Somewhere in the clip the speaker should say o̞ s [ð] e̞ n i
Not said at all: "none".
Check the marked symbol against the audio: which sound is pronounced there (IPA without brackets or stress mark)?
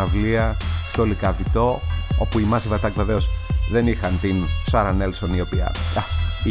ð